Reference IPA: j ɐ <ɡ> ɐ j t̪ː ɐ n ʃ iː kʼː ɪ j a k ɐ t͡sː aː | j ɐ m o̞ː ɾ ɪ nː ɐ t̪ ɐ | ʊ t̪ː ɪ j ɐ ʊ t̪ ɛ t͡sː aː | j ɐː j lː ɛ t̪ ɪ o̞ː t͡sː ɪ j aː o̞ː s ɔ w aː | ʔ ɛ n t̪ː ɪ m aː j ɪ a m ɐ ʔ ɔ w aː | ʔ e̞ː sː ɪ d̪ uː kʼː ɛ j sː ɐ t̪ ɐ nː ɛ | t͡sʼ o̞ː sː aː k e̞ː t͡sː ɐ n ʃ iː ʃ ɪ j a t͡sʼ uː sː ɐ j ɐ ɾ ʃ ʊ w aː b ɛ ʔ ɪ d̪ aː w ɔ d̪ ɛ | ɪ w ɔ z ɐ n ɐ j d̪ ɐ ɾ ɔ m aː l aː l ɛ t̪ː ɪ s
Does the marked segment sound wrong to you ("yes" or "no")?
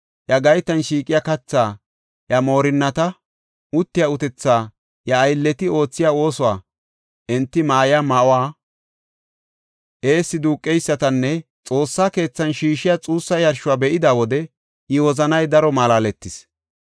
no